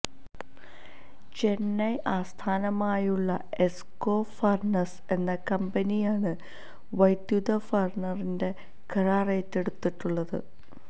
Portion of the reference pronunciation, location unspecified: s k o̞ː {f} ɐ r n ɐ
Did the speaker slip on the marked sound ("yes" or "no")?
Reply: no